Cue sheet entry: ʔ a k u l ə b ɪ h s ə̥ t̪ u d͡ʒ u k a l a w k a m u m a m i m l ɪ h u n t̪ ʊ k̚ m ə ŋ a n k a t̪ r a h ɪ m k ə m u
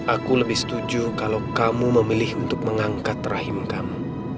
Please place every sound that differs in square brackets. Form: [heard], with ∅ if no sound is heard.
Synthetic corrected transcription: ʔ a k u l ə b ɪ h s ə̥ t̪ u d͡ʒ u k a l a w k a m u m [ə] m i [∅] l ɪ h u n t̪ ʊ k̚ m ə ŋ a [ŋ] k a t̪ r a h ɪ m k [a] m u